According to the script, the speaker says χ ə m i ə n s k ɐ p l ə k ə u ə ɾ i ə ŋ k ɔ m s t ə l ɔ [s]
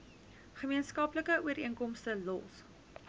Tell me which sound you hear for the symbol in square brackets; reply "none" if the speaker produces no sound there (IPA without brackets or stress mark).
s